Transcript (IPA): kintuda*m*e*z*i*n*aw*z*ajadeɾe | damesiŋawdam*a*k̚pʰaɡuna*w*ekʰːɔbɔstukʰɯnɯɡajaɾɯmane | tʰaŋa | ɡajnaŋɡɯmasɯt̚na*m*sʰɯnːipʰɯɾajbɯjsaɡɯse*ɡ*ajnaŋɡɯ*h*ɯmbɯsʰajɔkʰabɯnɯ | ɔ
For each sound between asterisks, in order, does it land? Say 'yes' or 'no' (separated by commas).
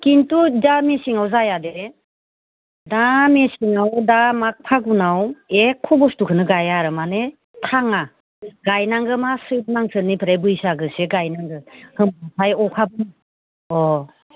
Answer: yes, no, no, yes, yes, yes, no, yes, yes